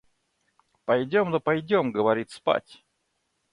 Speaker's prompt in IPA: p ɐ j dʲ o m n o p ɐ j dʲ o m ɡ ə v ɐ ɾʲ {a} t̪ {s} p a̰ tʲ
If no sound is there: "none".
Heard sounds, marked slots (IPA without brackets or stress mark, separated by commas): i, s